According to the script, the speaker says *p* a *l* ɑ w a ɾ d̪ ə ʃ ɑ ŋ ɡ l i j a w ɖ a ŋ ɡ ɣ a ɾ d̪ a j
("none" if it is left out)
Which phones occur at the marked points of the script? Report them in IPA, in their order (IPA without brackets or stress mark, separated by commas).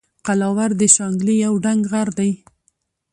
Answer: q, l